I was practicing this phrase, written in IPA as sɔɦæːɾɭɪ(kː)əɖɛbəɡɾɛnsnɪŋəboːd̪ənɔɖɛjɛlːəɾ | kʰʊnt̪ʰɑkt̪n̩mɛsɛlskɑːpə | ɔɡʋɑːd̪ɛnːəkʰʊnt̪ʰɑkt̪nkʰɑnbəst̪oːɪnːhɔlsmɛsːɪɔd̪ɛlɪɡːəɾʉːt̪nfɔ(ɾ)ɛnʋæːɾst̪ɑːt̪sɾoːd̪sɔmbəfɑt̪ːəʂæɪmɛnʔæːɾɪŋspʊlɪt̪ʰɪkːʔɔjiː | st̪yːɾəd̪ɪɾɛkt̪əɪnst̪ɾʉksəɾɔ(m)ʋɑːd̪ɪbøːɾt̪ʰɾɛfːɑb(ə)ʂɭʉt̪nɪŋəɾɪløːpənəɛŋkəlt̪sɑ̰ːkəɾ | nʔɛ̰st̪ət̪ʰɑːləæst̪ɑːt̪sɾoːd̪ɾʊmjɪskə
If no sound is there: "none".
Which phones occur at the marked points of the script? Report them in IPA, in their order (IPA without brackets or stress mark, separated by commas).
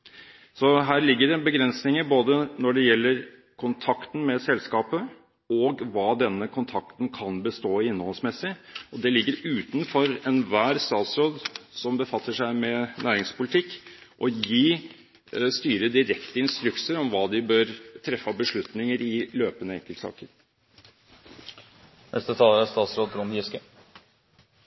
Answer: ɡː, ɾ, m, ə